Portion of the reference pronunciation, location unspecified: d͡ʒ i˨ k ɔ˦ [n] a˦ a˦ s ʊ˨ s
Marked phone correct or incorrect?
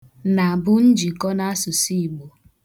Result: correct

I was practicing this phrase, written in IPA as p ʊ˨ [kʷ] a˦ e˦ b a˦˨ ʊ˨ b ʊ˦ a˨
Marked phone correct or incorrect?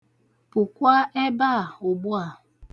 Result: correct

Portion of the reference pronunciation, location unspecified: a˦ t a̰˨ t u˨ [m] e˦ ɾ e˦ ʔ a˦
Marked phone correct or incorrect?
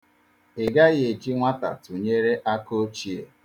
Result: incorrect: ɲ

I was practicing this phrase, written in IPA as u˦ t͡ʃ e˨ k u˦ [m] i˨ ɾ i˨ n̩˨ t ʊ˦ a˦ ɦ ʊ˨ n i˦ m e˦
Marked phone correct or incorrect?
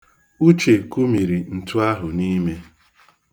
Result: correct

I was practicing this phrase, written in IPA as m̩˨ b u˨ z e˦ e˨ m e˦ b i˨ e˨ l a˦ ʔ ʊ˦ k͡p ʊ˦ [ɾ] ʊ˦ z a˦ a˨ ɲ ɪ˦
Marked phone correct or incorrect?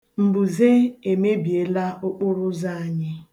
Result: correct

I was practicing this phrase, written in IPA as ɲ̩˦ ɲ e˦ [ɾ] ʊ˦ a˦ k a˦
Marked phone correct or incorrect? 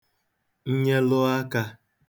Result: incorrect: l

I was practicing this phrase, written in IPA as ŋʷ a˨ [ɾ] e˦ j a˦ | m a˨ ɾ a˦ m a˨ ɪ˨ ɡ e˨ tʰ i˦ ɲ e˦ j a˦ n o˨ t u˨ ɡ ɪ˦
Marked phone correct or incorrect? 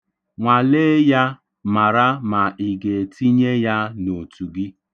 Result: incorrect: l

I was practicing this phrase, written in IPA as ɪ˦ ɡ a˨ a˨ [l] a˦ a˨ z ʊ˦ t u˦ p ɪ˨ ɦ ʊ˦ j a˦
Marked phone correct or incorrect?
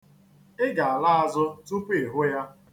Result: correct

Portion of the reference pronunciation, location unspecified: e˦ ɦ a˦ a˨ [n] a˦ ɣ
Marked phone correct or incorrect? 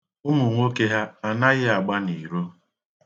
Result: correct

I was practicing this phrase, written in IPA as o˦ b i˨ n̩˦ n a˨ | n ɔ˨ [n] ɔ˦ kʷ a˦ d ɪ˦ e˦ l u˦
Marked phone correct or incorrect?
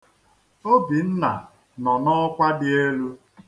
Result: correct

